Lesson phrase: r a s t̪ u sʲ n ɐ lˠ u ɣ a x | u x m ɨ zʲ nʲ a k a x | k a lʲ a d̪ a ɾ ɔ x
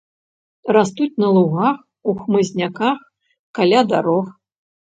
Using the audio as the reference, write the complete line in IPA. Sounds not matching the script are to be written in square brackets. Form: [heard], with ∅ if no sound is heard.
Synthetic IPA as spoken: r a s t̪ u [t͡sʲ] n ɐ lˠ u ɣ a x | u x m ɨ zʲ nʲ a k a x | k a lʲ a d̪ a ɾ ɔ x